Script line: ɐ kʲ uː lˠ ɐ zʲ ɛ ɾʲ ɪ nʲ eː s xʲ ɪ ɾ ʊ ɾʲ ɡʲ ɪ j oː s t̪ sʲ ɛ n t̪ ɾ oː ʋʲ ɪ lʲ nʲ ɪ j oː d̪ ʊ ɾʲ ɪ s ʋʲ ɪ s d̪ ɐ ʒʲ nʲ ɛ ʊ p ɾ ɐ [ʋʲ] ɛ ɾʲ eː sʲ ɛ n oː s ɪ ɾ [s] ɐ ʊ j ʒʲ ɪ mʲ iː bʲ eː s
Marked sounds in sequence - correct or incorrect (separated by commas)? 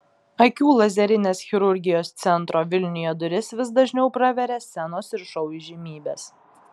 correct, incorrect